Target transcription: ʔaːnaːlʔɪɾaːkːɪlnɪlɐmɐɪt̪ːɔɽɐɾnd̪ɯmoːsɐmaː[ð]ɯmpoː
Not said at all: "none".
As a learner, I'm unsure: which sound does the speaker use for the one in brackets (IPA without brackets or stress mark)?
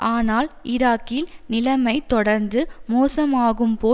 ɣ